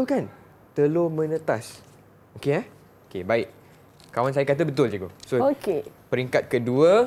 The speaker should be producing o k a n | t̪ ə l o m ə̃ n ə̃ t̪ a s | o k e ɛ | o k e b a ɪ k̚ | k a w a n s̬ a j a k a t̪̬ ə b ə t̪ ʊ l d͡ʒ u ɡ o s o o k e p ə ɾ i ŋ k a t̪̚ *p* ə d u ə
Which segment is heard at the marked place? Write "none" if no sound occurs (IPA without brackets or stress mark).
k